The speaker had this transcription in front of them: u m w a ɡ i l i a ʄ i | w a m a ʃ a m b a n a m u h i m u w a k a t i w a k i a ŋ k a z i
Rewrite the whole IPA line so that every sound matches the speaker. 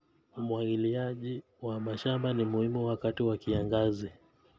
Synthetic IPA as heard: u m w a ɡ i l i a ʄ i | w a m a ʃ a m b a n i m u h i m u w a k a t i w a k i a ŋ ɡ a z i